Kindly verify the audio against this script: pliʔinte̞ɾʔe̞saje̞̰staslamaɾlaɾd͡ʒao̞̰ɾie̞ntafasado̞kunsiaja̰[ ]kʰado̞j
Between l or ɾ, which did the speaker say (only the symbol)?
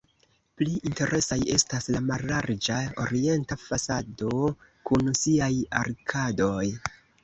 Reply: ɾ